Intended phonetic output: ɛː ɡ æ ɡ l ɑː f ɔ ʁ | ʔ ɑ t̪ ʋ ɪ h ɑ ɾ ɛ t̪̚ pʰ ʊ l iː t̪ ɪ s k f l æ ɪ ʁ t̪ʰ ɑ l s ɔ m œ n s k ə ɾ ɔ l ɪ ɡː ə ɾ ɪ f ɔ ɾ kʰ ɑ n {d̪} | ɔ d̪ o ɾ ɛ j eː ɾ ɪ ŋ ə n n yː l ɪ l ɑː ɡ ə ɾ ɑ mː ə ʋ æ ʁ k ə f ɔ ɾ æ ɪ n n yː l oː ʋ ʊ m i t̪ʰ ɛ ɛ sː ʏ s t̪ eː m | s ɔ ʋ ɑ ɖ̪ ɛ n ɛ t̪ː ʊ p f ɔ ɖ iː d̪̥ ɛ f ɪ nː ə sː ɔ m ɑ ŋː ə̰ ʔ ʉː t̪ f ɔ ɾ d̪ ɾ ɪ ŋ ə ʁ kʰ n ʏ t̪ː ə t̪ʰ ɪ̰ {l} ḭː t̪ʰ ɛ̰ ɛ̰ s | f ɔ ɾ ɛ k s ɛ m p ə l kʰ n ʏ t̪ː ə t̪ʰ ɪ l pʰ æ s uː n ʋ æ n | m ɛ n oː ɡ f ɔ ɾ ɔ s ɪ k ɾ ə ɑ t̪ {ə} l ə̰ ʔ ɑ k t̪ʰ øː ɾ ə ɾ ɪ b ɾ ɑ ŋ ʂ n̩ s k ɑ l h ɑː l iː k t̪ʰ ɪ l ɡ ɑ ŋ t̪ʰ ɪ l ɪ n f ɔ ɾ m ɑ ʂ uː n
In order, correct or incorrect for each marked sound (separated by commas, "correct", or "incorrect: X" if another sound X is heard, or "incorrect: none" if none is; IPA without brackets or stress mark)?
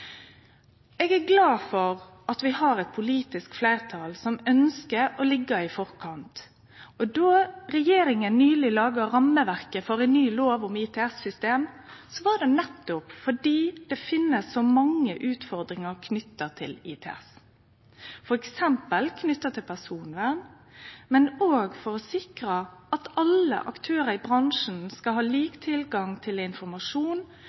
incorrect: t̪, correct, incorrect: ɑ